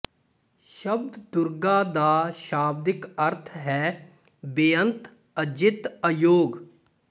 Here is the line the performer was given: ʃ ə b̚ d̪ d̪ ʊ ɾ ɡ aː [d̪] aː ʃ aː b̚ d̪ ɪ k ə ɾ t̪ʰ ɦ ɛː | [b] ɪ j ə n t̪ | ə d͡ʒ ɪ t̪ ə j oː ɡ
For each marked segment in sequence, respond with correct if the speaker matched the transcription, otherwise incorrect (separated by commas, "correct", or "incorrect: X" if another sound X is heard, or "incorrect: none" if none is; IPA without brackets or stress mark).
correct, correct